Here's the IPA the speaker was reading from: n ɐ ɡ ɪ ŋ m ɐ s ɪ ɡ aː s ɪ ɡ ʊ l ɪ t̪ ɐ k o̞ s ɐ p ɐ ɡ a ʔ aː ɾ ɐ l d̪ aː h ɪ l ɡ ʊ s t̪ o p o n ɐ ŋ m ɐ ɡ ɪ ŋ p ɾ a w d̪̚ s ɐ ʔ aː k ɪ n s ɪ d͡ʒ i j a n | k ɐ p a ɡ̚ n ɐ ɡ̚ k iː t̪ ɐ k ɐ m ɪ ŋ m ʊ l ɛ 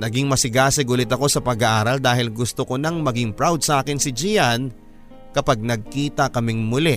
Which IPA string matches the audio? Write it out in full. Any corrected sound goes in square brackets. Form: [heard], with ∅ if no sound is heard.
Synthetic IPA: n ɐ ɡ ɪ ŋ m ɐ s ɪ ɡ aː s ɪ ɡ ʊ l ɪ t̪ ɐ k o̞ s ɐ p ɐ ɡ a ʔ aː ɾ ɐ l d̪ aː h ɪ l ɡ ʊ s t̪ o [k] o n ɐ ŋ m ɐ ɡ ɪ ŋ p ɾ a w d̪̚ s ɐ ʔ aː k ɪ n s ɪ d͡ʒ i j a n | k ɐ p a ɡ̚ n ɐ ɡ̚ k iː t̪ ɐ k ɐ m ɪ ŋ m ʊ l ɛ